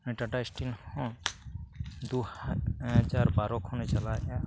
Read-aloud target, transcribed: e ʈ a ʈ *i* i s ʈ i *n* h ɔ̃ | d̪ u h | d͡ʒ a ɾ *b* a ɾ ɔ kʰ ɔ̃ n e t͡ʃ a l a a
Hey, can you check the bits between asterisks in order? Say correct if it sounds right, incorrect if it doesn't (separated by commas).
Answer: incorrect, correct, correct